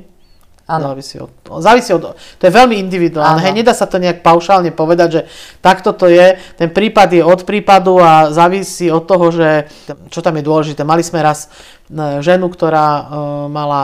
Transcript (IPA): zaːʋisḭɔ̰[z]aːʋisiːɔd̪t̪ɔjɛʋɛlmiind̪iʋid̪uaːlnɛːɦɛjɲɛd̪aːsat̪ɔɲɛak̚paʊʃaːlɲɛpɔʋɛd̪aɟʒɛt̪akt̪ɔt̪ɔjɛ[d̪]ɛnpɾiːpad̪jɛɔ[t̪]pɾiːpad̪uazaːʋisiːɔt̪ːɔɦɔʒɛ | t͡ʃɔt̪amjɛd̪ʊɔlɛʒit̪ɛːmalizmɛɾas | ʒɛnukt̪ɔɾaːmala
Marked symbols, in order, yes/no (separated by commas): yes, no, yes